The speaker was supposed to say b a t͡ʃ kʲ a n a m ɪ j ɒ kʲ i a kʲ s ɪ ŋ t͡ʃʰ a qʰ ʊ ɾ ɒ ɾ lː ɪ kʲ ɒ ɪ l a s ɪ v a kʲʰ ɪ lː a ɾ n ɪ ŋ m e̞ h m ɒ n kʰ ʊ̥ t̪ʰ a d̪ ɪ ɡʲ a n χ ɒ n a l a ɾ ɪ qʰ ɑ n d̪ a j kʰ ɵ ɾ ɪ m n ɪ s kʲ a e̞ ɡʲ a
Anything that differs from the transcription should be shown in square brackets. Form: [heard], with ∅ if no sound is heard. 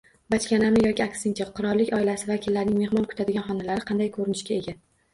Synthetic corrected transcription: b a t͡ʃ kʲ a n a m ɪ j ɒ kʲ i a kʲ s ɪ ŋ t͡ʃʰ a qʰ ʊ ɾ ɒ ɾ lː ɪ kʲ ɒ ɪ l a s ɪ v a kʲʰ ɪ lː a ɾ n ɪ ŋ m e̞ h m ɒ n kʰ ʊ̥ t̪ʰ a d̪ ɪ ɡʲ a n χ ɒ n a l a ɾ ɪ qʰ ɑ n d̪ a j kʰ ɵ ɾ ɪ [∅] n ɪ [ʃ] kʲ a e̞ ɡʲ a